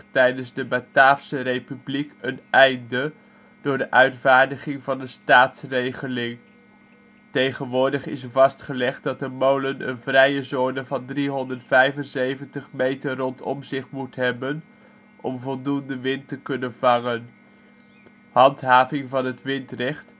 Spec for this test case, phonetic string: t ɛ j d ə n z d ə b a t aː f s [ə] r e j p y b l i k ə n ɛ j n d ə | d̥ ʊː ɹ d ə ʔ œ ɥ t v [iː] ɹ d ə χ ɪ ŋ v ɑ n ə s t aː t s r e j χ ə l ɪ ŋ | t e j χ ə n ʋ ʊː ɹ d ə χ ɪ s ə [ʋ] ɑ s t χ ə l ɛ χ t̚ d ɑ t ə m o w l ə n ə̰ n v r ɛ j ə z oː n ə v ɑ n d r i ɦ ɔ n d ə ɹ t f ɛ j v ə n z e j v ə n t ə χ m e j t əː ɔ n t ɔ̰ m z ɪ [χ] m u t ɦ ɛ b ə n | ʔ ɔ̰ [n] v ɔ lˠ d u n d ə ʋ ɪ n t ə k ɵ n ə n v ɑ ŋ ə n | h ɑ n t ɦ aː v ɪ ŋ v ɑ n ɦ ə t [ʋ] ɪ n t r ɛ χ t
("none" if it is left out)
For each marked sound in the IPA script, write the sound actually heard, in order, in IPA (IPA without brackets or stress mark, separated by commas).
ə, aː, v, χ, m, ʋ